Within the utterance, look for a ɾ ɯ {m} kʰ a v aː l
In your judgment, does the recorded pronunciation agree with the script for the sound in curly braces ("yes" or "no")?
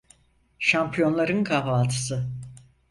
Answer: no